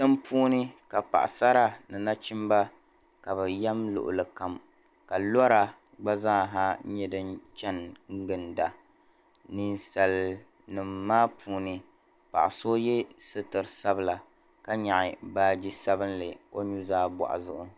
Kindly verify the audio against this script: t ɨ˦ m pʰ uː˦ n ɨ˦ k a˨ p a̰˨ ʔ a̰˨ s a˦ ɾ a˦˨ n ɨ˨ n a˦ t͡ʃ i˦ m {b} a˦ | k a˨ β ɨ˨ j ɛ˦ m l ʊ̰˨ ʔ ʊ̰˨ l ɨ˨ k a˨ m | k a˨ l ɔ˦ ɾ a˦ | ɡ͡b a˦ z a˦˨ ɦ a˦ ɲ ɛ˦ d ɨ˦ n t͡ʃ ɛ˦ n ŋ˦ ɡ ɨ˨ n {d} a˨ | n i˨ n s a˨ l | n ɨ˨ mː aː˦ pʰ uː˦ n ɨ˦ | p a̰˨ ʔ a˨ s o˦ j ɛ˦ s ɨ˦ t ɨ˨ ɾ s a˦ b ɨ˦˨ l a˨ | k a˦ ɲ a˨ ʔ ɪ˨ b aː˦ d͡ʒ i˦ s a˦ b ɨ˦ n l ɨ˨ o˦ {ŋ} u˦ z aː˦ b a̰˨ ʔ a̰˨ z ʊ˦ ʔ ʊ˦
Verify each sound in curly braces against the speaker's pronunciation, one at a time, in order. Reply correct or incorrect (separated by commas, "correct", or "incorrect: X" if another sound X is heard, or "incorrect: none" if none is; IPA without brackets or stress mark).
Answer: correct, correct, incorrect: ɲ